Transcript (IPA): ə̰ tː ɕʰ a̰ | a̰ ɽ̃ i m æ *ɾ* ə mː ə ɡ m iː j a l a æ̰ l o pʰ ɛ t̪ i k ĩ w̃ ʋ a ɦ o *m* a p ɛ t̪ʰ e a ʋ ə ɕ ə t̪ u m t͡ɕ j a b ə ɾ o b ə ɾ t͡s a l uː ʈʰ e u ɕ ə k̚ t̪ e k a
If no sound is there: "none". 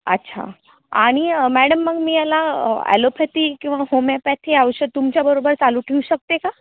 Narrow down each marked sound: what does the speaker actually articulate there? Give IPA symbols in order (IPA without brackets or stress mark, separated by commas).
ɽ, m